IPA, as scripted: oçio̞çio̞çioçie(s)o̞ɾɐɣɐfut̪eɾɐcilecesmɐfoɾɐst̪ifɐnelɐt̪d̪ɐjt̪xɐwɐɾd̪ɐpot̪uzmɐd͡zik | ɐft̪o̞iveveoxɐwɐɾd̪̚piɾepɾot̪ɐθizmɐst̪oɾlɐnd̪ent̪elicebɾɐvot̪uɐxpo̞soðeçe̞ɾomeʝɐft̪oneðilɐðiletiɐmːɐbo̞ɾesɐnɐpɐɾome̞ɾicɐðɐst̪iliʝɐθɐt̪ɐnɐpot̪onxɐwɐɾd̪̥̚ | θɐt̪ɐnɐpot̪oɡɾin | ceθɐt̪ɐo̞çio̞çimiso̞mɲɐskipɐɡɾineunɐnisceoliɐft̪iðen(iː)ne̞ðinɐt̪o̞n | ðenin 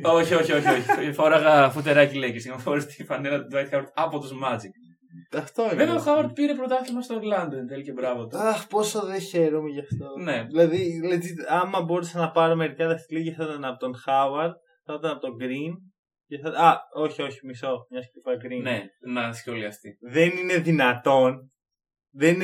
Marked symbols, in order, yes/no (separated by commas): no, no